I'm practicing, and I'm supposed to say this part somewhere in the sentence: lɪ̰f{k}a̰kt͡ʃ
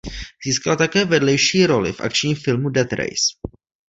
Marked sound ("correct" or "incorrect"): incorrect